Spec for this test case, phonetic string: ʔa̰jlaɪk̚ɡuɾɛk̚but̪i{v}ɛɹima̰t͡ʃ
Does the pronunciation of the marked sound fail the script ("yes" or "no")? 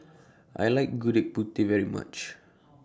no